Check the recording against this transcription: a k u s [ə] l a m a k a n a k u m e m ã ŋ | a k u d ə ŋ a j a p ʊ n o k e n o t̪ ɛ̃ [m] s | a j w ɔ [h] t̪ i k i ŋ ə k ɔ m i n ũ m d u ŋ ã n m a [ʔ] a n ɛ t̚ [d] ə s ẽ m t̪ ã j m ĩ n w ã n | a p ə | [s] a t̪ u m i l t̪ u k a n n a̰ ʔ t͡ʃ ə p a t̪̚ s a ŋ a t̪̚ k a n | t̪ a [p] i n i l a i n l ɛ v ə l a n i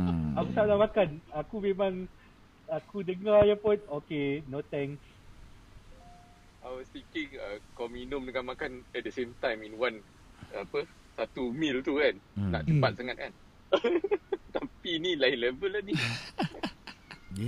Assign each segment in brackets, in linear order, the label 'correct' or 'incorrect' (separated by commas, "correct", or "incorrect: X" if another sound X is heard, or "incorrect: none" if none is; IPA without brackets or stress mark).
incorrect: a, incorrect: ŋ, incorrect: s, incorrect: k, correct, correct, correct